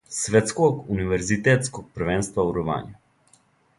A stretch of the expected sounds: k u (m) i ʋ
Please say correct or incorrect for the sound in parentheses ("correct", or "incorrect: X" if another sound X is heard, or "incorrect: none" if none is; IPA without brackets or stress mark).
incorrect: n